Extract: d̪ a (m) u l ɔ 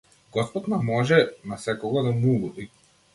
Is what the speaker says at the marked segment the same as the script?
yes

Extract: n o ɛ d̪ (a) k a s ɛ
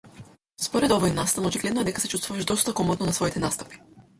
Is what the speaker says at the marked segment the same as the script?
no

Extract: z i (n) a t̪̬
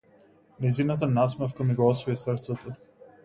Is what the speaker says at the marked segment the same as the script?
yes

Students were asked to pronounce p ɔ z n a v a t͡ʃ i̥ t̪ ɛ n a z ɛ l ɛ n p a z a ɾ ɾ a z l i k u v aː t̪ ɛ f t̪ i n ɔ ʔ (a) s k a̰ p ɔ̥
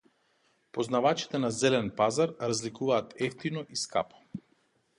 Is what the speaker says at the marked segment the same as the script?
no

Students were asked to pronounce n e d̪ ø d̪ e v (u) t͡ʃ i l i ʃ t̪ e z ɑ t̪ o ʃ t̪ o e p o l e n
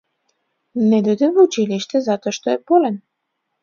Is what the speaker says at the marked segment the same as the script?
yes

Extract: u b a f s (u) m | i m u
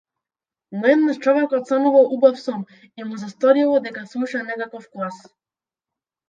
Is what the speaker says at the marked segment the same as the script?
no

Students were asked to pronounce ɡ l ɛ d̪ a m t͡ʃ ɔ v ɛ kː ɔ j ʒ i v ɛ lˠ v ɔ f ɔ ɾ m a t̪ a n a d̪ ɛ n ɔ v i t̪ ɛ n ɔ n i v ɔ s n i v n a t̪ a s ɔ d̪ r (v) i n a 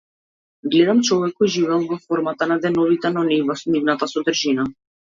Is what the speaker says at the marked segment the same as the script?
no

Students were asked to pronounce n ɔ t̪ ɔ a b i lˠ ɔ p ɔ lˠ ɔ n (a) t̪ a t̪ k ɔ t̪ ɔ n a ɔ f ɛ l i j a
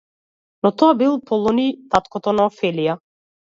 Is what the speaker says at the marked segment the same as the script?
no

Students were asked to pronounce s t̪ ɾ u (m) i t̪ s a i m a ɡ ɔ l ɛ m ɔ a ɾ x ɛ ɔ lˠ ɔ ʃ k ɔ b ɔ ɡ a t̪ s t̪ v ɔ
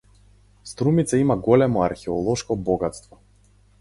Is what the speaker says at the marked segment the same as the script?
yes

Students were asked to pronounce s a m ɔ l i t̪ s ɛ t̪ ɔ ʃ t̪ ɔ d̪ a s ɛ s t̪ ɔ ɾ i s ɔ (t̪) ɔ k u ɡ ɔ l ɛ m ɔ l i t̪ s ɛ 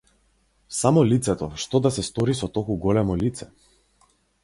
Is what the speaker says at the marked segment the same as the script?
yes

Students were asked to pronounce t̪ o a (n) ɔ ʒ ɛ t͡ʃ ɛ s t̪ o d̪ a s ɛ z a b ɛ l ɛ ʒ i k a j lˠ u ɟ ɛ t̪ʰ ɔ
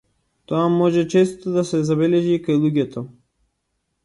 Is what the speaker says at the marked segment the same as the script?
no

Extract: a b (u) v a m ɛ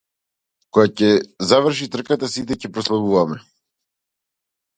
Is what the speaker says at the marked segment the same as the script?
yes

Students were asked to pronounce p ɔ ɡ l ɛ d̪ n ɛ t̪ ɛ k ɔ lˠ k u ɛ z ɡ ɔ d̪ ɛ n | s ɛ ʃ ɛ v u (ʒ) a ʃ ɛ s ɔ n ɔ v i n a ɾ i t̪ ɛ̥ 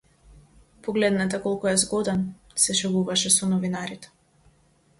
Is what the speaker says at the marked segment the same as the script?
no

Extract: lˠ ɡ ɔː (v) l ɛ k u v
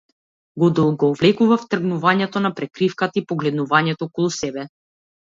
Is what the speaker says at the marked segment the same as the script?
yes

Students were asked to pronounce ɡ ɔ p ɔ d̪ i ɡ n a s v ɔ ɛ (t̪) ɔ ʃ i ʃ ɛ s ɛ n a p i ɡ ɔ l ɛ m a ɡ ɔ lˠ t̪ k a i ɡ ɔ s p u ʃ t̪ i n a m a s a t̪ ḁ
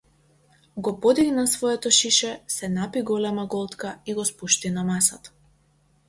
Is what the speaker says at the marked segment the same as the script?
yes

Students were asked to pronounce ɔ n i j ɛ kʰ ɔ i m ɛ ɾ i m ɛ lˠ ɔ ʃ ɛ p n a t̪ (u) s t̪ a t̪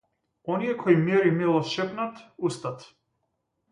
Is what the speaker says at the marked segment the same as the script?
yes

